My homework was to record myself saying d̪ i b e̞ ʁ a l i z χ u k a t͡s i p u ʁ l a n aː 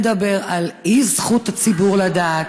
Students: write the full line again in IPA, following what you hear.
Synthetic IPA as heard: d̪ a b e̞ ʁ a l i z χ u t a t͡s i b u ʁ l a d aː